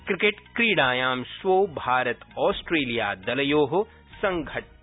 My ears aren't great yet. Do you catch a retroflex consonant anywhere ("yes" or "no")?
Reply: yes